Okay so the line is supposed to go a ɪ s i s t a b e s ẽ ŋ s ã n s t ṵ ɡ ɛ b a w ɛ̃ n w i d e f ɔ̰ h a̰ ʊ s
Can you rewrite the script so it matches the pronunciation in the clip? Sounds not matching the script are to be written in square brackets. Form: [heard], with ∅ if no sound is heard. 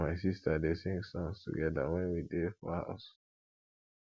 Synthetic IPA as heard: a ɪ s i s t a [d] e s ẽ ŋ s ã n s t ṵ ɡ ɛ [d] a w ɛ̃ n w i d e f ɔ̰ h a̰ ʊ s